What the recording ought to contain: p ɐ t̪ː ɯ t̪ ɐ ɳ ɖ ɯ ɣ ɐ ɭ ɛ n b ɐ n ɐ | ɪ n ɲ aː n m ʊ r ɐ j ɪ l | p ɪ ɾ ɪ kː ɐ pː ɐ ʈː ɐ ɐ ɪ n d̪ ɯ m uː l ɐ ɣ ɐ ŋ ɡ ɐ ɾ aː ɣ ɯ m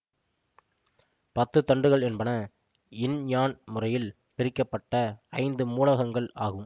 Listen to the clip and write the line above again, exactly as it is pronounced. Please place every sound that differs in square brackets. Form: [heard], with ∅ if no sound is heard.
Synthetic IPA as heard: p ɐ t̪ː ɯ t̪ ɐ ɳ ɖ ɯ ɣ ɐ ɭ ɛ n b ɐ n ɐ | ɪ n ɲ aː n m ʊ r ɐ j ɪ l | p ɪ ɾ ɪ kː ɐ pː ɐ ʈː ɐ ɐ ɪ n d̪ ɯ m uː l ɐ ɣ ɐ ŋ ɡ ɐ [ɭ] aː ɣ ɯ m

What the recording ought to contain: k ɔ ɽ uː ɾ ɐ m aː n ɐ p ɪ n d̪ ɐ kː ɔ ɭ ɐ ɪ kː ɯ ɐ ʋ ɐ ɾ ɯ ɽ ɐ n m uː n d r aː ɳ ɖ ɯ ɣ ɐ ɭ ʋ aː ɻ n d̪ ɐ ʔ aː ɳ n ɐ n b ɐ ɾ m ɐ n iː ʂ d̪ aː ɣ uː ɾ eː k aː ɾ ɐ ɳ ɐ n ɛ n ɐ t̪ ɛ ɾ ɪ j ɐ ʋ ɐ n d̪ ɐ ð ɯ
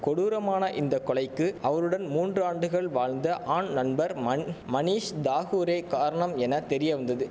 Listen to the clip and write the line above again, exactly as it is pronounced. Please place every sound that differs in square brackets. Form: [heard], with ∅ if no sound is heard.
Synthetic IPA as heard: k ɔ ɽ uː ɾ ɐ m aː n ɐ [ʔ] ɪ n d̪ ɐ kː ɔ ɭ ɐ ɪ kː ɯ ɐ ʋ ɐ ɾ ɯ ɽ ɐ n m uː n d r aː ɳ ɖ ɯ ɣ ɐ ɭ ʋ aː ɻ n d̪ ɐ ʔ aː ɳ n ɐ n b ɐ ɾ m ɐ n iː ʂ d̪ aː ɣ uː ɾ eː k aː ɾ ɐ ɳ ɐ [m] ɛ n ɐ t̪ ɛ ɾ ɪ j ɐ ʋ ɐ n d̪ ɐ ð ɯ

